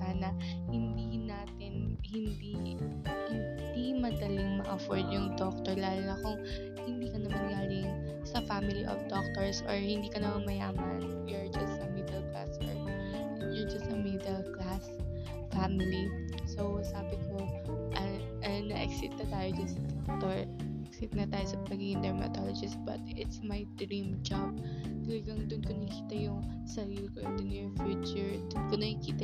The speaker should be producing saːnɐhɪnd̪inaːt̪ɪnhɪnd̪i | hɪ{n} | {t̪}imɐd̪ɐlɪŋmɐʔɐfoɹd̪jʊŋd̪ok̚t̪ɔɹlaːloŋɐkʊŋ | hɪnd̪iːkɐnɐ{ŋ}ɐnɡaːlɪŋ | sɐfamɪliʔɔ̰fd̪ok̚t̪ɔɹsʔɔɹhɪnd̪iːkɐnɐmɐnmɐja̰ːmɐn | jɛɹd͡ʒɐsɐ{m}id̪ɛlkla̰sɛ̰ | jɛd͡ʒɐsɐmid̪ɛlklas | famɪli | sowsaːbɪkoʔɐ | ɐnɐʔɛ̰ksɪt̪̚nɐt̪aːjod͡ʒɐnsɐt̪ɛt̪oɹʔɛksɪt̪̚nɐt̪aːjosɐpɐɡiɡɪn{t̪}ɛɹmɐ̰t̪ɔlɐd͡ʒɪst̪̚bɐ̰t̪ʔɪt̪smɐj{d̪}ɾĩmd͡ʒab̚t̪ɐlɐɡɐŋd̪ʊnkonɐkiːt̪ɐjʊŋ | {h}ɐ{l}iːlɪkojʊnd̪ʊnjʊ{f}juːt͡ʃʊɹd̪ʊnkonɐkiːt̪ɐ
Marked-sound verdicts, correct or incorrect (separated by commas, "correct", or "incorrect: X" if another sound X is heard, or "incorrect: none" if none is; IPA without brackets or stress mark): correct, incorrect: d̪, incorrect: m, correct, incorrect: d̪, correct, incorrect: s, incorrect: ɾ, correct